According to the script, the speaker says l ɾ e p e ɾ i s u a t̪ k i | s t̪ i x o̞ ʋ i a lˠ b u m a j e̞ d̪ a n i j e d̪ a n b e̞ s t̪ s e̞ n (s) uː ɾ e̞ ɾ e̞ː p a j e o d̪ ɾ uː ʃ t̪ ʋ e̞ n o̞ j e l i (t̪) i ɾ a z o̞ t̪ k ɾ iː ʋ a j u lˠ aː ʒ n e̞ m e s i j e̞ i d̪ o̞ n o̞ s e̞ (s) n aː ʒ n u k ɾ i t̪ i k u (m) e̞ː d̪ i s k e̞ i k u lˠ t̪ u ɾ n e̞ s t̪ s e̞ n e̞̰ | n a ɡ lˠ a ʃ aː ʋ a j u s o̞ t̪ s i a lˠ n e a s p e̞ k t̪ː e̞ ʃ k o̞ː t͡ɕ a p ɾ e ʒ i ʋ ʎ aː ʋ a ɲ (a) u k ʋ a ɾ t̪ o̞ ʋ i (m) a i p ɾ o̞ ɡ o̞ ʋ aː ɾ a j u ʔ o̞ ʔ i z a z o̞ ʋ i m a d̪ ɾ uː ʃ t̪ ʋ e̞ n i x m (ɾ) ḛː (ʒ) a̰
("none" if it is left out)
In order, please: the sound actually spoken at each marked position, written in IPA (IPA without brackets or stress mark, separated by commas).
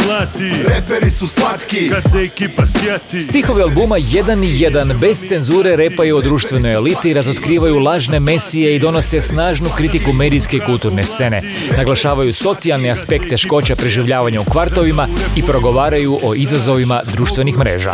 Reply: z, t̪, s, m, a, m, ɾ, ʒ